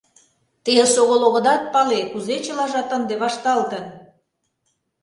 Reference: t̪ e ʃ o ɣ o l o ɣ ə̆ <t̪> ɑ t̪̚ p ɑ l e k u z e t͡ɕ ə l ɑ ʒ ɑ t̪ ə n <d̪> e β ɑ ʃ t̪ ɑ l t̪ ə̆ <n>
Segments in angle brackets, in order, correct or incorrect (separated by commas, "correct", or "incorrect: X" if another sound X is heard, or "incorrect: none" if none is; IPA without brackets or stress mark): incorrect: d̪, correct, correct